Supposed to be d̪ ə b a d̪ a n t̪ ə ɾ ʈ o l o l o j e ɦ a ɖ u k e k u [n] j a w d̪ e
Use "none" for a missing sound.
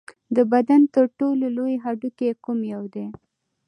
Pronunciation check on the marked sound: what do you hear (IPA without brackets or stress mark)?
m